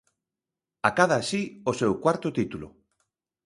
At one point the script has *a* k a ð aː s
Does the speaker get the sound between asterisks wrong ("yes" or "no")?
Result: no